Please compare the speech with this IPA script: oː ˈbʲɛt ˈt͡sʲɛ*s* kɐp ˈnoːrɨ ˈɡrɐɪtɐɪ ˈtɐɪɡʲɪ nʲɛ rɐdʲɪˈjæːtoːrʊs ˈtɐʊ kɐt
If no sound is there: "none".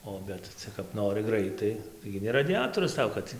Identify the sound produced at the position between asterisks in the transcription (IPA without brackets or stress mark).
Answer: none